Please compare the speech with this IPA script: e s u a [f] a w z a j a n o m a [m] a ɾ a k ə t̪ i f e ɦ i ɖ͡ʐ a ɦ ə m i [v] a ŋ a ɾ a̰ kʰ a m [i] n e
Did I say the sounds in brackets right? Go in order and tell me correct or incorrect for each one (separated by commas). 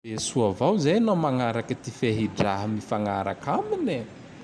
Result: incorrect, incorrect, incorrect, correct